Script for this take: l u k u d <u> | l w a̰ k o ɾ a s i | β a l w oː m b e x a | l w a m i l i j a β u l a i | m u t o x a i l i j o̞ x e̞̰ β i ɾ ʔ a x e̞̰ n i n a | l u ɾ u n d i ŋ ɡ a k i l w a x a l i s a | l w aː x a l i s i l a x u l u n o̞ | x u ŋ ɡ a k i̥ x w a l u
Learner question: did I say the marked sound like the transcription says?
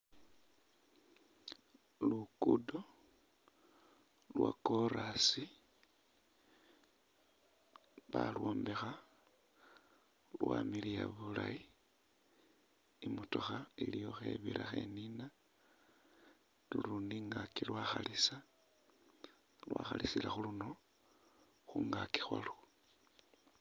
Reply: no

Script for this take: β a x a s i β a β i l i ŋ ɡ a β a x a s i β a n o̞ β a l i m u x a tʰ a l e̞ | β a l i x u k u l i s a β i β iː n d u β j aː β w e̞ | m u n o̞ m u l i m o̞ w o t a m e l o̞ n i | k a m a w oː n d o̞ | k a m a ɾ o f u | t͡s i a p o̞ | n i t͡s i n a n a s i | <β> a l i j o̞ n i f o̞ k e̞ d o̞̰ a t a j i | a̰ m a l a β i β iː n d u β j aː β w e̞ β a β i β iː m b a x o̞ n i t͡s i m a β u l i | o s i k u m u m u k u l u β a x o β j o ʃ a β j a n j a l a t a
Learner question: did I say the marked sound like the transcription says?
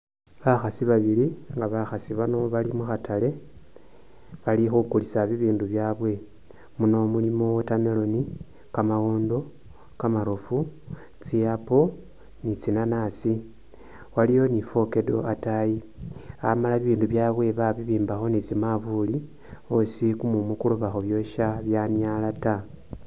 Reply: no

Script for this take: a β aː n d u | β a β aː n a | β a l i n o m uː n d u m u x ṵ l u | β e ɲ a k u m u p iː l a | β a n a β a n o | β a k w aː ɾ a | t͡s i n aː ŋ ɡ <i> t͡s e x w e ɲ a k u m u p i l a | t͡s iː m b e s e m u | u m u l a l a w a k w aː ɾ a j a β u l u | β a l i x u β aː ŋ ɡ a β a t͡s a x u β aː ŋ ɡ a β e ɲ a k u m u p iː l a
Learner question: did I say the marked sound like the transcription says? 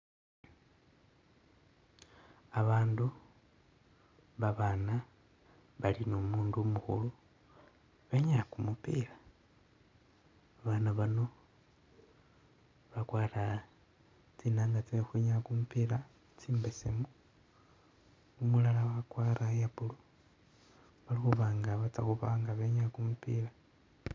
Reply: no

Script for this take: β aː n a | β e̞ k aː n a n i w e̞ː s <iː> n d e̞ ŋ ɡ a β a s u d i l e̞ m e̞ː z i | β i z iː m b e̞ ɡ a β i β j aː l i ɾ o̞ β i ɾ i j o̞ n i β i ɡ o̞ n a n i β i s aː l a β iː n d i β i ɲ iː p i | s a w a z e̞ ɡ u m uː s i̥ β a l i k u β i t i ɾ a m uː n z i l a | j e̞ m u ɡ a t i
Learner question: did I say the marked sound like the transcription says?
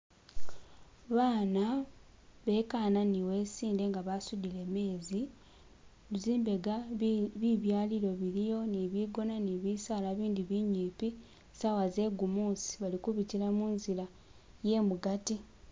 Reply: yes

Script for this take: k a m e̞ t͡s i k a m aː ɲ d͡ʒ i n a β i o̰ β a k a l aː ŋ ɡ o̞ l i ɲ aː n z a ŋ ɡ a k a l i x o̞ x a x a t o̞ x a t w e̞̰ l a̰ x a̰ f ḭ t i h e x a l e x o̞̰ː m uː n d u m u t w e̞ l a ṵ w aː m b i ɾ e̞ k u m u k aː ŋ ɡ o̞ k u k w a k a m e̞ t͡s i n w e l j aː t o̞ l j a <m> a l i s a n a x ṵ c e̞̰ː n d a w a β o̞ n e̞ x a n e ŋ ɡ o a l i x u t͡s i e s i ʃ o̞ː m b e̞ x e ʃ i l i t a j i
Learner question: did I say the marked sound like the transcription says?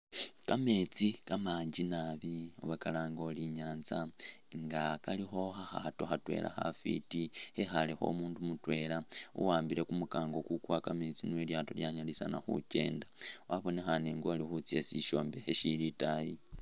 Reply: no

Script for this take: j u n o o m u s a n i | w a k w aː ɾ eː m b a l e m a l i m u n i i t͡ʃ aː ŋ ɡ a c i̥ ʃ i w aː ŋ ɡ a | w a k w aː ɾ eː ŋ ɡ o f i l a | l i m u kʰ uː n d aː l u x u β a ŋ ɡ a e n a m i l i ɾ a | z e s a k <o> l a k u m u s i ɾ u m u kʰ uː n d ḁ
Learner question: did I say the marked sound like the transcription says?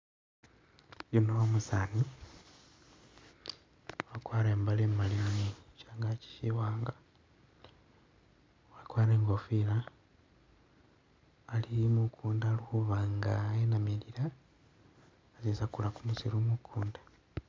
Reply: no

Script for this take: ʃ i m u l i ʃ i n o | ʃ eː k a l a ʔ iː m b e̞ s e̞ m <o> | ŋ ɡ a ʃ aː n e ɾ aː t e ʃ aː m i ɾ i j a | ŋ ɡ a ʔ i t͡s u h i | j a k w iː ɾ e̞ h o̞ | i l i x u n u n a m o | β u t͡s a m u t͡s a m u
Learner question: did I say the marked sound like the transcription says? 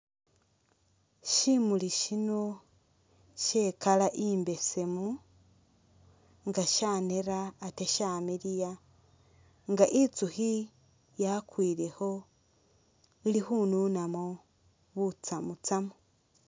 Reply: no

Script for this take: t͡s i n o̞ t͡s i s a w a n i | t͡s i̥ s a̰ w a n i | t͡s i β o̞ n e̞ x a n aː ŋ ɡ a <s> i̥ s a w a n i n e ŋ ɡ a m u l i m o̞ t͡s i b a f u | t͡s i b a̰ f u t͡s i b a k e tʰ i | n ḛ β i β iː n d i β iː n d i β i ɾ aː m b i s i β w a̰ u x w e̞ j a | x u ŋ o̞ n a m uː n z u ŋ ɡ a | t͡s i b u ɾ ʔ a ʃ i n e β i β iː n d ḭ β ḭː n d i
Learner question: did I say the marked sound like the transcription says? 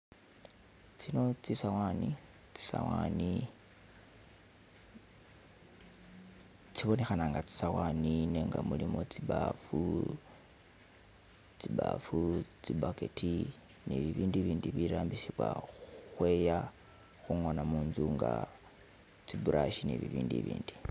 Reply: no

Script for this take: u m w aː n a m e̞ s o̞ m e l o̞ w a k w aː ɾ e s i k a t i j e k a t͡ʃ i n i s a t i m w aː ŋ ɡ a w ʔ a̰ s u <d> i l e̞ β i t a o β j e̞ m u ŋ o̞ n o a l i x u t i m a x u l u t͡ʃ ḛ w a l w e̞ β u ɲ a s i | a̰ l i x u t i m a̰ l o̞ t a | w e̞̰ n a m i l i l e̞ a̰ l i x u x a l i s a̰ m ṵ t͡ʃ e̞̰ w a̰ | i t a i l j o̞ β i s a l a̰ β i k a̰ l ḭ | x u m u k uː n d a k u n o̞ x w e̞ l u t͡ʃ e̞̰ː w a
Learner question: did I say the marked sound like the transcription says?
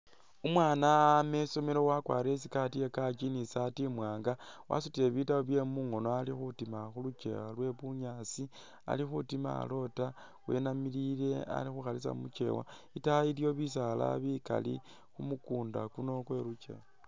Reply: no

